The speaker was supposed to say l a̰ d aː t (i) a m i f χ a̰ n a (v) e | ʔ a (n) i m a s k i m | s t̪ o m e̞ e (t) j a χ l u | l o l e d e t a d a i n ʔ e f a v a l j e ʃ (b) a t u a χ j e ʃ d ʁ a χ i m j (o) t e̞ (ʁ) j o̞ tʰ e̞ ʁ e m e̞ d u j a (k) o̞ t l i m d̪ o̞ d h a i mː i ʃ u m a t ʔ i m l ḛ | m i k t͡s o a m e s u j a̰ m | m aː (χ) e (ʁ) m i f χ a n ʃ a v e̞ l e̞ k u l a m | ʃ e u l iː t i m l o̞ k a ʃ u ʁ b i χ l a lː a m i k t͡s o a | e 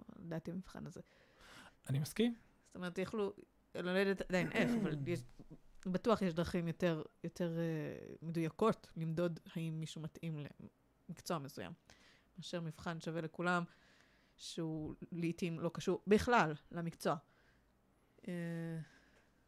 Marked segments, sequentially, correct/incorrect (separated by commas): correct, incorrect, correct, correct, correct, correct, correct, correct, incorrect, correct